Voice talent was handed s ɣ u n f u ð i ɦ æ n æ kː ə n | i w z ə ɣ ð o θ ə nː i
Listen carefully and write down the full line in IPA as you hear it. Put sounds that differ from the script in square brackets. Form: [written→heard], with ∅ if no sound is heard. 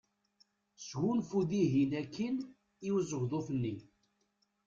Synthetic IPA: s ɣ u n f u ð i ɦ [æ→i] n æ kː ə n | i w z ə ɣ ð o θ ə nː i